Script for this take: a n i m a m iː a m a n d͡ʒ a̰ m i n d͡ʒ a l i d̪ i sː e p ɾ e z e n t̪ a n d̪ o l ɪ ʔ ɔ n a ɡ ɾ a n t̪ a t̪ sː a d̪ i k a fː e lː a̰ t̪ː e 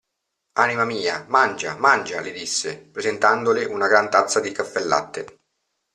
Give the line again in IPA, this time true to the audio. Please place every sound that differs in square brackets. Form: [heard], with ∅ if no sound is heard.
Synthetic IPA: a n i m a m iː a m a n d͡ʒ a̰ m [a] n d͡ʒ a l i d̪ i sː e p ɾ e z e n t̪ a n d̪ o l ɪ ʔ [u] n a ɡ ɾ a n t̪ a t̪ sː a d̪ i k a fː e lː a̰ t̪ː e